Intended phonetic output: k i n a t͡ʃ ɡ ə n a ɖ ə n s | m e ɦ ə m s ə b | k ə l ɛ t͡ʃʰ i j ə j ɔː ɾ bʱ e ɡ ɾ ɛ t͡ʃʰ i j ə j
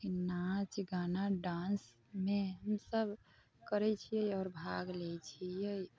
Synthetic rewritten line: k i n a t͡ʃ ɡ a n a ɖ a n s | m e ɦ ə m s ə b | k ə ɾ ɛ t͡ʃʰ i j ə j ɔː ɾ bʱ a ɡ l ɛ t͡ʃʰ i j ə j

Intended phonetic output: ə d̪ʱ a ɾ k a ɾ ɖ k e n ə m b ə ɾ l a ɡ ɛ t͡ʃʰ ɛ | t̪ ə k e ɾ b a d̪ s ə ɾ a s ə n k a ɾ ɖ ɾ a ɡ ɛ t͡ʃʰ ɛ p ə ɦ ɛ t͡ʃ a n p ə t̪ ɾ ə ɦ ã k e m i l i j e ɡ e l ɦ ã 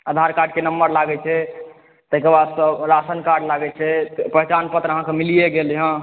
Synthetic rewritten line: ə d̪ʱ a ɾ k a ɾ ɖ k e n ə m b ə ɾ l a ɡ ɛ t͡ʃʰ ɛ | t̪ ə k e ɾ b a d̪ s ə ɾ a s ə n k a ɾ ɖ l a ɡ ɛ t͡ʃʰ ɛ p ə ɦ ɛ t͡ʃ a n p ə t̪ ɾ ə ɦ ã k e m i l i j e ɡ e l ɦ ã

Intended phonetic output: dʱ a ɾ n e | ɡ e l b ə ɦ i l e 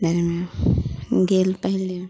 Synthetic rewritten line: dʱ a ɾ m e | ɡ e l p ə ɦ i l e

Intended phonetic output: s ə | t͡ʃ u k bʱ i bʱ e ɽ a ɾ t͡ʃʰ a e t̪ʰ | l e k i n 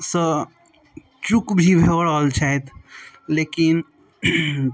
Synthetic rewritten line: s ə | t͡ʃ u k bʱ i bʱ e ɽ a l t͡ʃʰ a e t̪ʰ | l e k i n

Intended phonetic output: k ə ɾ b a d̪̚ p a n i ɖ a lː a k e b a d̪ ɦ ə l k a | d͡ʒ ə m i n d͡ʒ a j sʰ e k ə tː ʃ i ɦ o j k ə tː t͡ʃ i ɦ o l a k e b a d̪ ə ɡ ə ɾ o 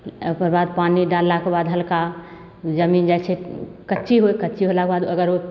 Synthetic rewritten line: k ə ɾ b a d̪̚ p a n i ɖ a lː a k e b a d̪ ɦ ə l k a | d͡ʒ ə m i n d͡ʒ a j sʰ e k ə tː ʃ i ɦ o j k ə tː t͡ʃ i ɦ o l a k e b a d̪ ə ɡ ə ɾ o

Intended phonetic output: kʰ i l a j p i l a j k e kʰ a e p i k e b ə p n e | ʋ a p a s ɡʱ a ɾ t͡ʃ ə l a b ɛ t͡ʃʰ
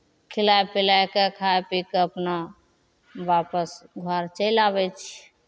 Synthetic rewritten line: kʰ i l a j p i l a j k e kʰ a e p i k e ə p n a | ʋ a p ə s ɡʱ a ɾ t͡ʃ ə l a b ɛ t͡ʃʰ

